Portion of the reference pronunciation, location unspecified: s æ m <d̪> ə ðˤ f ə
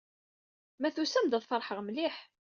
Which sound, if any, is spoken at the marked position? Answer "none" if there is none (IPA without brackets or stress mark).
d̪